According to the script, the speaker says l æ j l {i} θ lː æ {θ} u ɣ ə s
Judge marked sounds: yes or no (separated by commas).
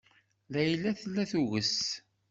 no, yes